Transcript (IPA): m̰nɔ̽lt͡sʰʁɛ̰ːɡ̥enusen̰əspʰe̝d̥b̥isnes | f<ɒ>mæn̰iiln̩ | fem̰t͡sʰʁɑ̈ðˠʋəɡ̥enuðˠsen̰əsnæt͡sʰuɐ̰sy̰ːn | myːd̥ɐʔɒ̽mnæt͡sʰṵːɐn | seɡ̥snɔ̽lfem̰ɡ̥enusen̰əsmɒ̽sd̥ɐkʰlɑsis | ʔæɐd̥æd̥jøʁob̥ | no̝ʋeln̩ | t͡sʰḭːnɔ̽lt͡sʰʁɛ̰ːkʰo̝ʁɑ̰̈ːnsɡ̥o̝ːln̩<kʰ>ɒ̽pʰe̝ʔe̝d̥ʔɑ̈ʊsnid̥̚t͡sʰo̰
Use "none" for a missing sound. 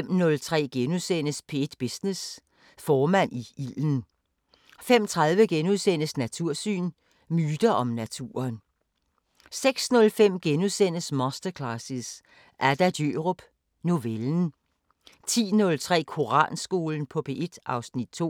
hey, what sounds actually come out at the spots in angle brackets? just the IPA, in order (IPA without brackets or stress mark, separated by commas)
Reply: ɒː, pʰ